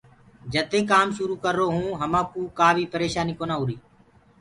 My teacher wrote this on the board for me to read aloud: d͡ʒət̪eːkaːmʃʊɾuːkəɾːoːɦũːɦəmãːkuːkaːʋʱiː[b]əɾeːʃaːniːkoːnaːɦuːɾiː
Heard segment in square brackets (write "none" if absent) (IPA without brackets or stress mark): p